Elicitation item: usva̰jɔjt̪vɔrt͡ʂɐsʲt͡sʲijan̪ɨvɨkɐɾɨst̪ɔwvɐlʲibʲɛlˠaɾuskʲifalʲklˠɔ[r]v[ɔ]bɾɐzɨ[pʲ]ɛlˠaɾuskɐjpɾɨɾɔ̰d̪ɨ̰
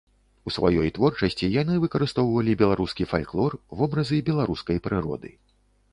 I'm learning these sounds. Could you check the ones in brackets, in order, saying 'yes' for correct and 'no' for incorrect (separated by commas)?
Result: yes, yes, no